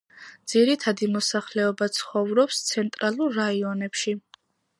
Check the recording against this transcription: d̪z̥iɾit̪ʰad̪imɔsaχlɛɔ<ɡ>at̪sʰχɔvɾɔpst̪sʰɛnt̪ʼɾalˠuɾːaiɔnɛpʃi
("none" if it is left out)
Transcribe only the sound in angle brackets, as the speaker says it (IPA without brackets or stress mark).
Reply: b